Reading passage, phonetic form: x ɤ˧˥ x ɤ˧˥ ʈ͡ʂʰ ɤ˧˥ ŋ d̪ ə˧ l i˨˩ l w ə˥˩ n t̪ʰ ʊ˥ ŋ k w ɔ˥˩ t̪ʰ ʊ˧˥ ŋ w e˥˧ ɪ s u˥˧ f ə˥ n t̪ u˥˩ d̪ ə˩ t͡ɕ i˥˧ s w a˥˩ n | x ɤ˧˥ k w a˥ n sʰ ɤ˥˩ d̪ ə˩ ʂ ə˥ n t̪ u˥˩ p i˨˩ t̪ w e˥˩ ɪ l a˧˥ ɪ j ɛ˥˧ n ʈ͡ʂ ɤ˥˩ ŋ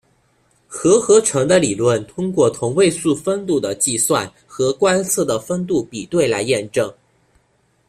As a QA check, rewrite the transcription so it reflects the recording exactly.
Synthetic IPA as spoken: x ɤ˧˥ x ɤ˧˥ ʈ͡ʂʰ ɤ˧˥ ŋ d̪ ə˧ l i˨˩ l w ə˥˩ n t̪ʰ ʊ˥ ŋ k w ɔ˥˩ t̪ʰ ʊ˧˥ ŋ w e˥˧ ɪ s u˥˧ f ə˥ n t̪ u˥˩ d̪ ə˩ t͡ɕ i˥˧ s w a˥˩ n | x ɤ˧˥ k w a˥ n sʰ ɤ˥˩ d̪ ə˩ f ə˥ n t̪ u˥˩ p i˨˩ t̪ w e˥˩ ɪ l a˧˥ ɪ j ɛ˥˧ n ʈ͡ʂ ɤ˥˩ ŋ